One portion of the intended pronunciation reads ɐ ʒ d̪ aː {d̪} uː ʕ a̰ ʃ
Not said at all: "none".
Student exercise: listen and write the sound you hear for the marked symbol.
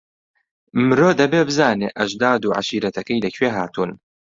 d̪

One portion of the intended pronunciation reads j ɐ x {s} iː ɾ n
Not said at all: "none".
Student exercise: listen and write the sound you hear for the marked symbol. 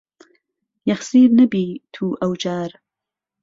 s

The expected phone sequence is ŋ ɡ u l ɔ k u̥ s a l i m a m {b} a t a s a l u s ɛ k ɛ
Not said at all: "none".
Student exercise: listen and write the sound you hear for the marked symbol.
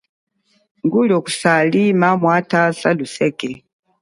w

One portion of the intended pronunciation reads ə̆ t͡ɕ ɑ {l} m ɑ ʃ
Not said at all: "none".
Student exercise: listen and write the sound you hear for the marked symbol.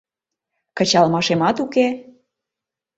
l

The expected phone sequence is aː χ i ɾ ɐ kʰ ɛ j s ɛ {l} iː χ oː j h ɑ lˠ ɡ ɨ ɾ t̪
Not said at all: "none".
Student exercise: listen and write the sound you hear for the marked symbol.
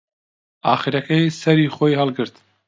ɾ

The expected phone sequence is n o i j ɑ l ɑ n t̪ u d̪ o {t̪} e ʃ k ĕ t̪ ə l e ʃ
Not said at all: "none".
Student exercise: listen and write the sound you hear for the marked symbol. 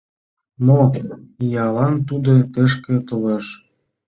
t̪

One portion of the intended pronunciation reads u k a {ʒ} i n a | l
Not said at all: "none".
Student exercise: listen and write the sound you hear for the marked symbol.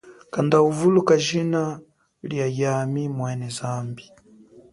ʒ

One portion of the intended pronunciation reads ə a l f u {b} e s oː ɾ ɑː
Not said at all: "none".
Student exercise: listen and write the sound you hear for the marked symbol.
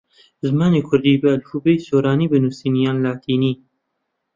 b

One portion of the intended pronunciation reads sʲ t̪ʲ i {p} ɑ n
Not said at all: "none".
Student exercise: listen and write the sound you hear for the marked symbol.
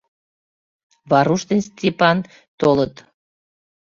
p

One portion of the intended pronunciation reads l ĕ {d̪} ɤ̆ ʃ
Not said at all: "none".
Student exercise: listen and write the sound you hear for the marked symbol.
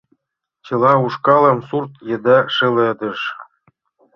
d̪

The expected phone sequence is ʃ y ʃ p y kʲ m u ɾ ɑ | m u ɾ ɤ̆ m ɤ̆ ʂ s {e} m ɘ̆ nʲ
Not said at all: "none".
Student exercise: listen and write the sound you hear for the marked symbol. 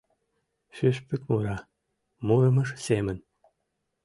e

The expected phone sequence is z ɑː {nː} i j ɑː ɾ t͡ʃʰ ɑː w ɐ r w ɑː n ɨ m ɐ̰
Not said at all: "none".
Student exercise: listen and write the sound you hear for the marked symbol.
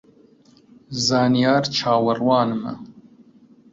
n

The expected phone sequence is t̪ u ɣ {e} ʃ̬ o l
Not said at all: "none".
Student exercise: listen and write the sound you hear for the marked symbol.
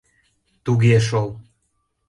e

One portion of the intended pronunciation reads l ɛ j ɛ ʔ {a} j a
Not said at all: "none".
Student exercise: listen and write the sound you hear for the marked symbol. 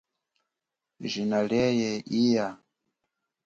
i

